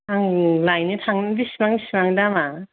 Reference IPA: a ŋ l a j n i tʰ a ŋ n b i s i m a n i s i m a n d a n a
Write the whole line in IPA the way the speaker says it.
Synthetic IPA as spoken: a ŋ l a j n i tʰ a ŋ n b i s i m a ŋ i s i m a ŋ d a m a